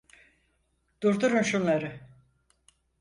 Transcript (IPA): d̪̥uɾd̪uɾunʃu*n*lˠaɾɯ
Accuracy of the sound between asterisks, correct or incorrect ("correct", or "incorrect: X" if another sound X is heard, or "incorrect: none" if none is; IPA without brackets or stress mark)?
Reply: correct